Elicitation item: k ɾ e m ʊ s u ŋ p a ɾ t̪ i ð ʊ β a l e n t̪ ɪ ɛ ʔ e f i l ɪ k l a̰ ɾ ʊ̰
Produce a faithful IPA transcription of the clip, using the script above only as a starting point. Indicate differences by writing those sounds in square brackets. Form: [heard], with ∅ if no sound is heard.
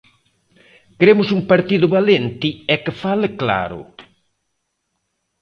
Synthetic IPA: k ɾ e m ʊ s u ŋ p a ɾ t̪ i ð ʊ β a l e n t̪ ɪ ɛ [k] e f [a] l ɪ k l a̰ ɾ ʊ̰